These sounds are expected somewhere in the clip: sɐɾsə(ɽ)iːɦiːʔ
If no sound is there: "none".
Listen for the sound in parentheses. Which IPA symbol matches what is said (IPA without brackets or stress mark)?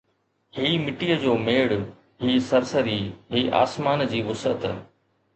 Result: ɾ